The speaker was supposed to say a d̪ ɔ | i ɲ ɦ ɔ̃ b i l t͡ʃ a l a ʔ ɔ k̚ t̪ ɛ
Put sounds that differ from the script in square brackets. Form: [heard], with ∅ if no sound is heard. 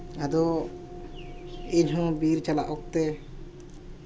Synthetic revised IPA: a d̪ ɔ | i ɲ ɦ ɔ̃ b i [ɾ] t͡ʃ a l a ʔ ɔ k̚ t̪ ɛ